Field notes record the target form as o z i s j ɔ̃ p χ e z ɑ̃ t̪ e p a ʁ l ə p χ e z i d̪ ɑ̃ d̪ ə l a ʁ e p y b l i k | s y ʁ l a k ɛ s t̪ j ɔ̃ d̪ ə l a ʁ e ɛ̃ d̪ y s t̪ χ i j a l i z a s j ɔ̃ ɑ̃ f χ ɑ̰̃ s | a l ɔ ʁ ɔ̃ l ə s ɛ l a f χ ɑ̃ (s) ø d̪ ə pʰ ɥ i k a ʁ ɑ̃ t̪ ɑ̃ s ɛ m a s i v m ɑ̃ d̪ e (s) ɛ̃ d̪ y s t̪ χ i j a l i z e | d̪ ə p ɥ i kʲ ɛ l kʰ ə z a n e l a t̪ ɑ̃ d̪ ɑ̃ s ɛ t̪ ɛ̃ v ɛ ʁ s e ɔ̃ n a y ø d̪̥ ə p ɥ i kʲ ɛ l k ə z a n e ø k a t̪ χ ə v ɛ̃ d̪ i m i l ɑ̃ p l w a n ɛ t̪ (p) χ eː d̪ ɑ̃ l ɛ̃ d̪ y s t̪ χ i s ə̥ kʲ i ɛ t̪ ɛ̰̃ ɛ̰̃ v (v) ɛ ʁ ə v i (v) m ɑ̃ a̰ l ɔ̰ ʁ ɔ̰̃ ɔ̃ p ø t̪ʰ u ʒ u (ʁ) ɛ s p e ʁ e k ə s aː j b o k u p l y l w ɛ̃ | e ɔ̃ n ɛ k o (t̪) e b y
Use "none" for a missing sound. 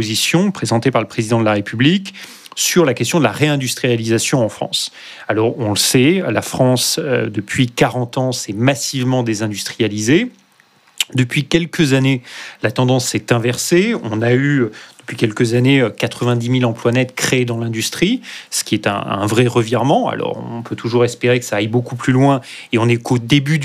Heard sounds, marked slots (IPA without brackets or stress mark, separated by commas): s, z, k, ʁ, ʁ, ʁ, d̪